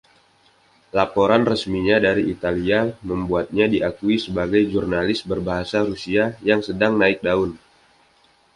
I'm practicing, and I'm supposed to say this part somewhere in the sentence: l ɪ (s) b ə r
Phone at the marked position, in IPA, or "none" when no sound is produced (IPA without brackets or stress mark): s